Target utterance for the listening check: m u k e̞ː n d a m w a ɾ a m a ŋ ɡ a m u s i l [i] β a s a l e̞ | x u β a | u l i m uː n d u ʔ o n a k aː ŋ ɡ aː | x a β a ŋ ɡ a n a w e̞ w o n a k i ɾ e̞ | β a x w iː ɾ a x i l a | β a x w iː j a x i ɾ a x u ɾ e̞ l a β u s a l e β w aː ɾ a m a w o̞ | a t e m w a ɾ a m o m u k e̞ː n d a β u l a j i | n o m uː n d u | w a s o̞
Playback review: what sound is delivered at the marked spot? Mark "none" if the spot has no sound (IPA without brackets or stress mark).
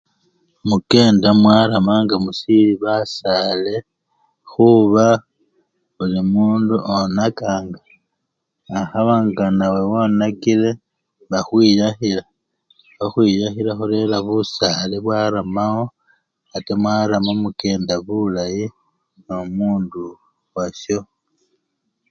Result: i